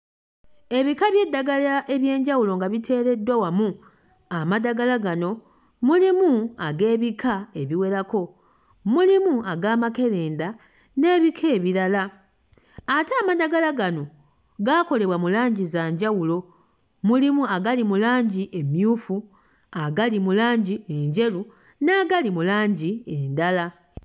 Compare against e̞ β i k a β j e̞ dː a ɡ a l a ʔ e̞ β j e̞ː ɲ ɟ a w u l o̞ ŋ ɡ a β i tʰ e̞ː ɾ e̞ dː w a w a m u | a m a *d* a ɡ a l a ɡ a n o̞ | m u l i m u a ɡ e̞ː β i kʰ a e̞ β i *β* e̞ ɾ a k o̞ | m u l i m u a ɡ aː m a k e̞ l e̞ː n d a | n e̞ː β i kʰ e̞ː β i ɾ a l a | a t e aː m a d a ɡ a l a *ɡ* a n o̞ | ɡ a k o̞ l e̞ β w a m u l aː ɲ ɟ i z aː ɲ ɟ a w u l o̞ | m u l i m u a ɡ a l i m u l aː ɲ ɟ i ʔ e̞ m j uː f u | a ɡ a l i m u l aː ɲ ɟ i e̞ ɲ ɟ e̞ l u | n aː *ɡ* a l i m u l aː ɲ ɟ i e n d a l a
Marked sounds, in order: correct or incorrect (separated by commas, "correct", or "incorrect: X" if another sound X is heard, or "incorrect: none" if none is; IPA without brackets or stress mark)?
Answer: correct, incorrect: w, correct, correct